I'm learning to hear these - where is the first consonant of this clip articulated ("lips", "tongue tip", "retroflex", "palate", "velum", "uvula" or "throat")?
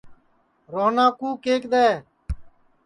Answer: tongue tip